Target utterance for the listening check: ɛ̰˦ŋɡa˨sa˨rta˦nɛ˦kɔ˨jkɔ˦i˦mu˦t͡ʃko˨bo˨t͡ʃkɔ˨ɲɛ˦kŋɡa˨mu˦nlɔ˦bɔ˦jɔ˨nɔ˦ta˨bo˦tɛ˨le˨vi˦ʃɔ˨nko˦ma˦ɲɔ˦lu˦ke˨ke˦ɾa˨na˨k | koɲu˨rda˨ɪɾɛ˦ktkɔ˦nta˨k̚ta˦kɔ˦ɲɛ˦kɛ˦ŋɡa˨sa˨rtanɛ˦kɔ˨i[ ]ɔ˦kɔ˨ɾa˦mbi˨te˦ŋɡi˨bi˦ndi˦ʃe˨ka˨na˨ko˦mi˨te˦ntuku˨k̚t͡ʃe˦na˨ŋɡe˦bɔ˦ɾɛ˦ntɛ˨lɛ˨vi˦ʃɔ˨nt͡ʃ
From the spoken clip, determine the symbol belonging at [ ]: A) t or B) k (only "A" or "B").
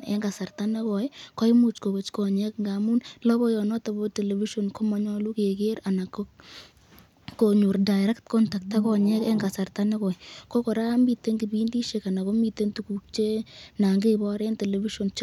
B